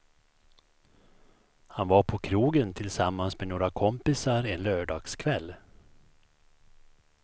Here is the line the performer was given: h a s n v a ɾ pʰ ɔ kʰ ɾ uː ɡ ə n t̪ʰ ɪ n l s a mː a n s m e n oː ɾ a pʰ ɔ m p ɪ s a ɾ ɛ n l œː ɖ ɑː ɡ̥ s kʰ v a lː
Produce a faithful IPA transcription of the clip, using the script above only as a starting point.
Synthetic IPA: h a n v a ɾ pʰ ɔ kʰ ɾ uː ɡ ə n t̪ʰ ɪ l s a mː a n s m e n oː ɾ a kʰ ɔ m p ɪ s a ɾ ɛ n l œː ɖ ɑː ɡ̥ s kʰ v ɛ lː